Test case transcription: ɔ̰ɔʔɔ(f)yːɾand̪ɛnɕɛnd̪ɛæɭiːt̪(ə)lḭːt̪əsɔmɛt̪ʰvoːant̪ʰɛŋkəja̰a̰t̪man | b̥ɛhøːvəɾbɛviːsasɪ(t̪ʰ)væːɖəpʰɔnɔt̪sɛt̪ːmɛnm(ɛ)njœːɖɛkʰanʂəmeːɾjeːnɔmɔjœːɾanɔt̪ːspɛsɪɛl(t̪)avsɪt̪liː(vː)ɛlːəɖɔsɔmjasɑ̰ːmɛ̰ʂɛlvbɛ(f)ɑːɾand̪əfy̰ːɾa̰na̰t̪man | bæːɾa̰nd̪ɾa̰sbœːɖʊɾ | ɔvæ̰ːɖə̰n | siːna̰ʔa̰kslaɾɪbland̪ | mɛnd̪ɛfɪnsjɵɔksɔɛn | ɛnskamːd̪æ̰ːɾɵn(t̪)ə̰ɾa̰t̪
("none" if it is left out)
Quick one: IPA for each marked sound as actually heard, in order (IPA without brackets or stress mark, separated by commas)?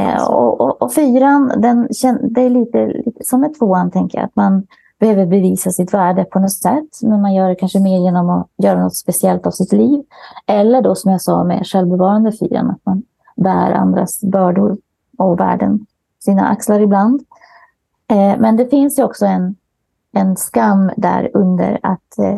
f, ə, t̪, a, t̪, v, v, d̪